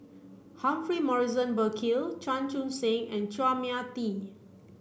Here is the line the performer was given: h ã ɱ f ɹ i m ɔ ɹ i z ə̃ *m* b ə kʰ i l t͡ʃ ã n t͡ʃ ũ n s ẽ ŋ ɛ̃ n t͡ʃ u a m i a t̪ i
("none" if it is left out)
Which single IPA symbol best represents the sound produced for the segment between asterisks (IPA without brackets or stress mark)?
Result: n